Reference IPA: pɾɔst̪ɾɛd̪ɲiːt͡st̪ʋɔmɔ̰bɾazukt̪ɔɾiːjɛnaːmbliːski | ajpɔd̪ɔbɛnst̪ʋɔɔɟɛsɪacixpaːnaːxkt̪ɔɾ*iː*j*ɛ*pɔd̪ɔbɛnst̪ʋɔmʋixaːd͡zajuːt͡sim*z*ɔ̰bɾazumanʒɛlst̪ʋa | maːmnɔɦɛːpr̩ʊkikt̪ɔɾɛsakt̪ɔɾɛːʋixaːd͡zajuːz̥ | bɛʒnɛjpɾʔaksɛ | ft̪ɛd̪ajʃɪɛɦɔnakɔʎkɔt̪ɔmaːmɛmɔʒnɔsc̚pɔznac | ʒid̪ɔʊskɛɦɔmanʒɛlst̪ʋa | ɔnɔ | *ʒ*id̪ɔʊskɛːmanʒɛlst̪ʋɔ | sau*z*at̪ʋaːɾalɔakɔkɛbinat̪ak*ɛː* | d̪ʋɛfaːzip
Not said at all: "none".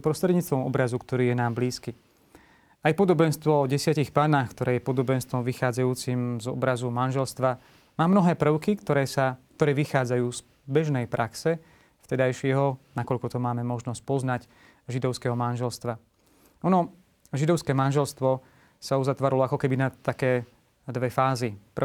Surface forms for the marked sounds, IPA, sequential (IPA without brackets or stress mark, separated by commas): ɛː, ɛ, z, ʒ, z, ɛː